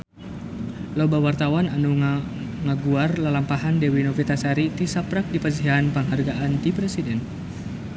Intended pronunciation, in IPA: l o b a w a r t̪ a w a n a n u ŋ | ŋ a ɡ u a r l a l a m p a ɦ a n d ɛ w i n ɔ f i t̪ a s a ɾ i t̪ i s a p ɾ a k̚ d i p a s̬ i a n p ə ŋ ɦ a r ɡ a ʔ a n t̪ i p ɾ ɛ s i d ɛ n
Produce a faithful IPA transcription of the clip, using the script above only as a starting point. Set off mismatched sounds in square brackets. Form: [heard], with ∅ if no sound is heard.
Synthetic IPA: l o b a w a r t̪ a w a n a n u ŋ | ŋ a ɡ u a r l a l a m p a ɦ a n d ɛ w i n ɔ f i t̪ a s a ɾ i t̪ i s a p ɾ a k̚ d i p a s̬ i a n p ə ŋ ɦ a r ɡ a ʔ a n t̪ i p ɾ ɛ s i d ɛ n